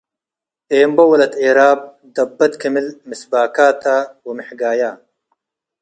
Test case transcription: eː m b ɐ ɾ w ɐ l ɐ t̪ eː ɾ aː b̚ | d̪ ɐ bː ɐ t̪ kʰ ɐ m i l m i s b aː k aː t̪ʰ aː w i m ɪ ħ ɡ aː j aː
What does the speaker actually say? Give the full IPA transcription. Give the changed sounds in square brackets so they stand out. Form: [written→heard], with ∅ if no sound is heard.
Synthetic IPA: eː m b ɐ [ɾ→∅] w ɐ l ɐ t̪ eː ɾ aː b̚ | d̪ ɐ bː ɐ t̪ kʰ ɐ m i l m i s b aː k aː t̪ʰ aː w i m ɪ ħ ɡ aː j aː